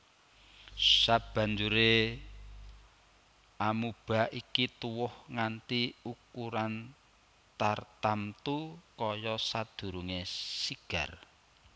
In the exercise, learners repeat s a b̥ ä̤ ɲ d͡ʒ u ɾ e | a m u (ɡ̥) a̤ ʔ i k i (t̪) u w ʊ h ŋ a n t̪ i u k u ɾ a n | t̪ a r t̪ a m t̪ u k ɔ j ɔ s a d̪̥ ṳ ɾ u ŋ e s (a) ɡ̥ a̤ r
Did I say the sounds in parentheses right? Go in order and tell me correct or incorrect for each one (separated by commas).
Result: incorrect, correct, incorrect